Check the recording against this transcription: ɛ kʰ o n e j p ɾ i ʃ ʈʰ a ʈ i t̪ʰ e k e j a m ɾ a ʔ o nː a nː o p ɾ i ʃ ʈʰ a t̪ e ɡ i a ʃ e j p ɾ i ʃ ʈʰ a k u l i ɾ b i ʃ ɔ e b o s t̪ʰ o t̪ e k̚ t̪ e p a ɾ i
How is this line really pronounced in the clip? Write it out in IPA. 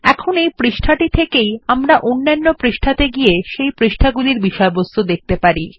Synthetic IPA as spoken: ɛ kʰ o n e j p ɾ i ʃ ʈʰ a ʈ i t̪ʰ e k e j a m ɾ a ʔ o nː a nː o p ɾ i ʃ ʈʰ a t̪ e ɡ i e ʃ e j p ɾ i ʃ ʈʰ a ɡ u l i ɾ b i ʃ ɔ e b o s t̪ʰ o d̪ e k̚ t̪ e p a ɾ i